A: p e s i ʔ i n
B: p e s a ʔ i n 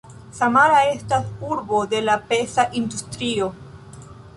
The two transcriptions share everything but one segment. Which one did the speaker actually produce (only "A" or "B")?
B